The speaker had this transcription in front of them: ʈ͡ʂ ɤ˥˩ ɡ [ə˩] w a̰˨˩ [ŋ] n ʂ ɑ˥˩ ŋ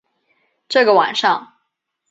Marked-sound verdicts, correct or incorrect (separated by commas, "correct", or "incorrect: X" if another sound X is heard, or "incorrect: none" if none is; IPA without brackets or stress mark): correct, incorrect: none